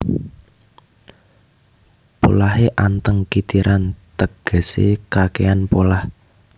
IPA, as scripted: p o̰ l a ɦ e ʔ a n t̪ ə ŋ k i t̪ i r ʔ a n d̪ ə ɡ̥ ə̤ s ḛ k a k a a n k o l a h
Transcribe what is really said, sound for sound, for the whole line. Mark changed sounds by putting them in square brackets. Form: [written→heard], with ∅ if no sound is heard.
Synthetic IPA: p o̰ l a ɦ e ʔ a n t̪ ə ŋ k i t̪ i [r→ɾ] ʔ a n [d̪→t̪] ə ɡ̥ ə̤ s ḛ k a k [a→e] a n [k→p] o l a h